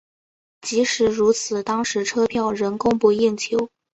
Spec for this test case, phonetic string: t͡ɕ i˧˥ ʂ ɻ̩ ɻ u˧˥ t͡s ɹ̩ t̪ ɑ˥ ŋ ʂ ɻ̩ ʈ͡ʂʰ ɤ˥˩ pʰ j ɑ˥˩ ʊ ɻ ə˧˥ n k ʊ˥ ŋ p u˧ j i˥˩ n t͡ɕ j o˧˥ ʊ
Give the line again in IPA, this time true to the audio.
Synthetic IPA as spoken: t͡ɕ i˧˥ ʂ ɻ̩ ɻ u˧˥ t͡sʰ ɹ̩ t̪ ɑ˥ ŋ ʂ ɻ̩ ʈ͡ʂʰ ɤ˥ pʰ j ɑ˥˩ ʊ ɻ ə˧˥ n k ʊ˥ ŋ p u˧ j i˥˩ n t͡ɕʰ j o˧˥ ʊ